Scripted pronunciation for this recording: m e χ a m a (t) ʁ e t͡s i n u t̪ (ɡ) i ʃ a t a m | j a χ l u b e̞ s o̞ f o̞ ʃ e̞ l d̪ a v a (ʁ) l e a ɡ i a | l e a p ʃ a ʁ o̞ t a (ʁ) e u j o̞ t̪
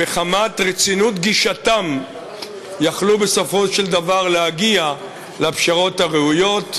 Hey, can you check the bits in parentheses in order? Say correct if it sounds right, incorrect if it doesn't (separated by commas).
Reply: correct, correct, correct, correct